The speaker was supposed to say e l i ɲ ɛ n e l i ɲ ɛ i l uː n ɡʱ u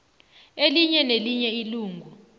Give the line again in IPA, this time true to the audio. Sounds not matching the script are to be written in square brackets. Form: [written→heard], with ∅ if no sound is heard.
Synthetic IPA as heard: e l i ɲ ɛ n e l i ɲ ɛ i l uː [n→ŋ] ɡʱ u